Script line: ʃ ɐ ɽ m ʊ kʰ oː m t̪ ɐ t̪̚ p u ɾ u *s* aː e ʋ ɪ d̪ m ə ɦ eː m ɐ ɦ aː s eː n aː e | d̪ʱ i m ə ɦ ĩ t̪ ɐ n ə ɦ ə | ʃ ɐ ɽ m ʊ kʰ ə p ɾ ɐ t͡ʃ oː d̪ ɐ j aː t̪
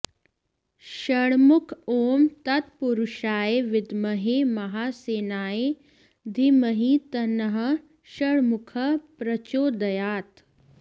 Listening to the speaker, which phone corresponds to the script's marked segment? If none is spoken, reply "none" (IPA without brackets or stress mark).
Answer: ʃ